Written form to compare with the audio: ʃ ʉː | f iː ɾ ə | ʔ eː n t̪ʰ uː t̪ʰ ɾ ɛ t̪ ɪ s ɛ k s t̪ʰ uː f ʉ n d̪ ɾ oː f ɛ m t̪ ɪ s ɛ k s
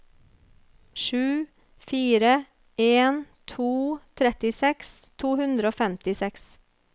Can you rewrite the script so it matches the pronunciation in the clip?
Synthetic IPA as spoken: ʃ ʉː | f iː ɾ ə | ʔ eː n t̪ʰ uː t̪ʰ ɾ ɛ t̪ ɪ s ɛ k s t̪ʰ uː h ʉ n d̪ ɾ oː f ɛ m t̪ ɪ s ɛ k s